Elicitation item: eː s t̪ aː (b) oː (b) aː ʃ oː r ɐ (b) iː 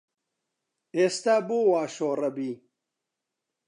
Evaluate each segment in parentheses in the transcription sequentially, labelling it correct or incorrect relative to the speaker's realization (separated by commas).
correct, incorrect, correct